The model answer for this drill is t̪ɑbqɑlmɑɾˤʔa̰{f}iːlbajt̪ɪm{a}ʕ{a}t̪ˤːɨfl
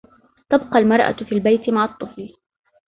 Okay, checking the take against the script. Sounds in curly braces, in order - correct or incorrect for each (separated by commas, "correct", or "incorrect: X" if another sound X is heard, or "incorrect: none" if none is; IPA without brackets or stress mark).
correct, correct, incorrect: ɑ